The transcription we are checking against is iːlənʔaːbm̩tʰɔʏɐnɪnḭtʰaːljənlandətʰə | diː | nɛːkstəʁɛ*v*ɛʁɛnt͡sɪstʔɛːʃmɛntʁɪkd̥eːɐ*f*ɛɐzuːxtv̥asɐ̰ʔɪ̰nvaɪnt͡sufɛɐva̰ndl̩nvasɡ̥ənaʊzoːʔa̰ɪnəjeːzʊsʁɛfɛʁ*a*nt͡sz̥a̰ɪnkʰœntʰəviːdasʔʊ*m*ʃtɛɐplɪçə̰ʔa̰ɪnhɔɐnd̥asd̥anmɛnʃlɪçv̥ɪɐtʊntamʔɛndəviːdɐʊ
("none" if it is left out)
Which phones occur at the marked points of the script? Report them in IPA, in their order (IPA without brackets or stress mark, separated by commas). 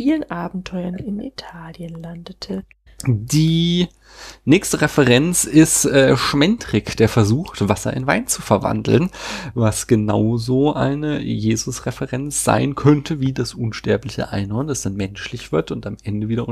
f, f, ɛ, n